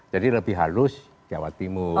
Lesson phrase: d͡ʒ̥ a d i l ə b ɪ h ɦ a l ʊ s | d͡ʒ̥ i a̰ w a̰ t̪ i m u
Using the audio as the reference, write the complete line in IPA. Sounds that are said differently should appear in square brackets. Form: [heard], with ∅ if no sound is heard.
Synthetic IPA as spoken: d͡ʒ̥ a d i l ə b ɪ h ɦ a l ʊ s | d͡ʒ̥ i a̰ w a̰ t̪ i m u